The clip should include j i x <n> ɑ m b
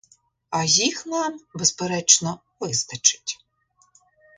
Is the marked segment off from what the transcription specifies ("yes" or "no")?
no